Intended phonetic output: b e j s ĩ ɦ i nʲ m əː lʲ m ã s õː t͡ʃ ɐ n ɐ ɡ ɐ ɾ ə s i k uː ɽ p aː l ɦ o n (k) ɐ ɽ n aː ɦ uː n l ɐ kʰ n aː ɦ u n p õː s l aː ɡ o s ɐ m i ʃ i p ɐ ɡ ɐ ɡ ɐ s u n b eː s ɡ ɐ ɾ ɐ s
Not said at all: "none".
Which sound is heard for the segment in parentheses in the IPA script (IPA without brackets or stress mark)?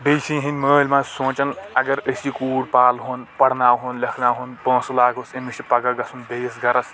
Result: p